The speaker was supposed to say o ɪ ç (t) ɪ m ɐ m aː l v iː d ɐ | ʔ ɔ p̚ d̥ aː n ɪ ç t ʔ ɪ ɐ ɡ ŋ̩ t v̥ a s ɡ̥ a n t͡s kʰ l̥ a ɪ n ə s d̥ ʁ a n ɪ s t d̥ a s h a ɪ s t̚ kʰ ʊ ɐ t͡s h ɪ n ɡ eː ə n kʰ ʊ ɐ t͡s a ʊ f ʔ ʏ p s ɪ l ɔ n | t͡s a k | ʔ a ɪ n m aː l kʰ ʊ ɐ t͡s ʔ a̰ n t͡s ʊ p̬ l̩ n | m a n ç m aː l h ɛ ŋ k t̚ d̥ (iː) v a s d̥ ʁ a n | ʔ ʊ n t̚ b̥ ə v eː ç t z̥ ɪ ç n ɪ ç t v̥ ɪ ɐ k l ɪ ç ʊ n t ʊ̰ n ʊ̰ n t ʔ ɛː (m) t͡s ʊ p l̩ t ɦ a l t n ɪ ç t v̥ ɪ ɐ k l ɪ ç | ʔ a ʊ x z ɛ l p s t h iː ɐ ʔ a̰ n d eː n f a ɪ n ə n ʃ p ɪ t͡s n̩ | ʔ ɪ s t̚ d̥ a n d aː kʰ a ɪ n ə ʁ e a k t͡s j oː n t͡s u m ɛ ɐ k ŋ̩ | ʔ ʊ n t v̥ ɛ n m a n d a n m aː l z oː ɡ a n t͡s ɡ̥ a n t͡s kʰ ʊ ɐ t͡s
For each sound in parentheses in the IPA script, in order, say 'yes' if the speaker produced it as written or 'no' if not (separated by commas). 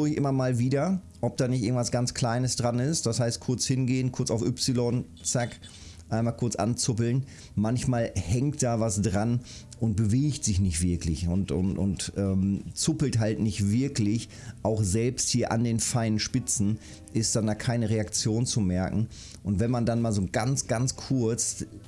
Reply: no, no, yes